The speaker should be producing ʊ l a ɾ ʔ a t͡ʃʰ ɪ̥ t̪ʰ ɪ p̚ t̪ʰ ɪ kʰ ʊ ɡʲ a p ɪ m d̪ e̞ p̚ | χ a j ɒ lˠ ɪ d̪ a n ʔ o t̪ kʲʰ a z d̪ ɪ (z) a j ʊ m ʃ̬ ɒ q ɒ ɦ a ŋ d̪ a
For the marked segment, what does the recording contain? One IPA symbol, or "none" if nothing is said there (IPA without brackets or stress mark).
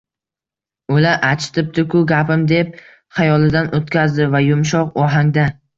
v